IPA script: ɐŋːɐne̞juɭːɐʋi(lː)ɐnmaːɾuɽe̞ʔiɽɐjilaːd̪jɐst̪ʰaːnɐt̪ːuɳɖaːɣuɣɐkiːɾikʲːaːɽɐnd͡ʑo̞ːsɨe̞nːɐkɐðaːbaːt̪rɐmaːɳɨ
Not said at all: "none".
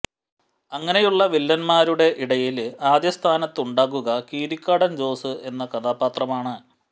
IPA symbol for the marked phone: lː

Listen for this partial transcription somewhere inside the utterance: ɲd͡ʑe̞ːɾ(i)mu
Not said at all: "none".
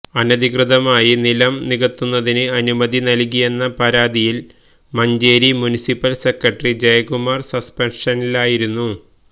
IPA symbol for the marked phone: i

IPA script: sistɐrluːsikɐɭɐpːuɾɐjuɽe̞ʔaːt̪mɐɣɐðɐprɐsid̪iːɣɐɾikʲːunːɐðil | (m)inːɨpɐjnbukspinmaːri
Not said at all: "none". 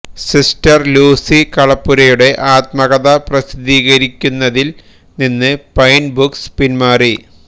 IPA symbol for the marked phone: n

